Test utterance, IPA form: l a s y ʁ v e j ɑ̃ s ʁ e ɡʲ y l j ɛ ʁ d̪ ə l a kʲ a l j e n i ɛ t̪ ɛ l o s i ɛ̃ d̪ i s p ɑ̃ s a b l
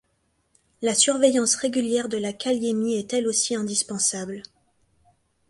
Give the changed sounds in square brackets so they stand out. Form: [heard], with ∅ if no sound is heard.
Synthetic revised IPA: l a s y ʁ v e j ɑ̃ s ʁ e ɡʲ y l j ɛ ʁ d̪ ə l a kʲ a l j e [m] i ɛ t̪ ɛ l o s i ɛ̃ d̪ i s p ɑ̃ s a b l